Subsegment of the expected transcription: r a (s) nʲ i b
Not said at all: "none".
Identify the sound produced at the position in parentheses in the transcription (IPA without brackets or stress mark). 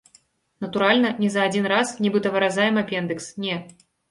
s